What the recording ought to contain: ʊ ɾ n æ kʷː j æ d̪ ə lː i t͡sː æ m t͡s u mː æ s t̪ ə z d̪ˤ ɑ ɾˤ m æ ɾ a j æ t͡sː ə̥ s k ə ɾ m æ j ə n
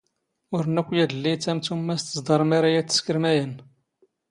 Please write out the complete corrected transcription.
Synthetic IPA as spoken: ʊ ɾ n æ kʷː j æ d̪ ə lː i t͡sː æ m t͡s u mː æ s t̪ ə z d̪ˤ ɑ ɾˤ m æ ɾ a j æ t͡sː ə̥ s k ə ɾ m æ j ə n

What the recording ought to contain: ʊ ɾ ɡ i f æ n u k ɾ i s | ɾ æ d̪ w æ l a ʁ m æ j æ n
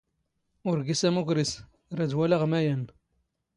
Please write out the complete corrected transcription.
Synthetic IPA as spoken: ʊ ɾ ɡ i s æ m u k ɾ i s | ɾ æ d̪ w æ l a ʁ m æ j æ n

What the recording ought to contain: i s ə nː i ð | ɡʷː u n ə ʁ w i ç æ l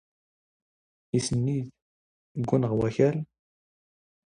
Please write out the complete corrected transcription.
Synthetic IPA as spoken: i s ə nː i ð | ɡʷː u n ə ʁ w æ ç æ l

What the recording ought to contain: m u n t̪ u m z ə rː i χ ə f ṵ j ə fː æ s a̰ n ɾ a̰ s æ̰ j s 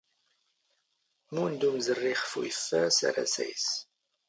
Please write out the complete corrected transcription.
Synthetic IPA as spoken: m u n d̪ u m z ə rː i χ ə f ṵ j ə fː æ s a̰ ɾ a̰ s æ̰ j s

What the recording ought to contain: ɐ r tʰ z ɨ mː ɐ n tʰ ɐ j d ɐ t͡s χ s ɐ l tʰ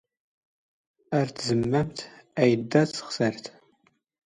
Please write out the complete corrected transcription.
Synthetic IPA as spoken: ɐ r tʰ z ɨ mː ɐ m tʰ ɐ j d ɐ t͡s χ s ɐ r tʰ

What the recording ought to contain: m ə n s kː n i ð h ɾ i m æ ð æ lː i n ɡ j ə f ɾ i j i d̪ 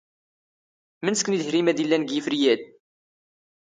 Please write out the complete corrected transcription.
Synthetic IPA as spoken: m ə n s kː n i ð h ɾ i m æ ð i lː æ n ɡ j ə f ɾ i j æ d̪

